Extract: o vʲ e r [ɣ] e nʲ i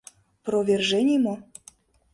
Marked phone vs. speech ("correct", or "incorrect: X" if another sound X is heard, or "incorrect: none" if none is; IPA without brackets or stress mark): incorrect: ʒ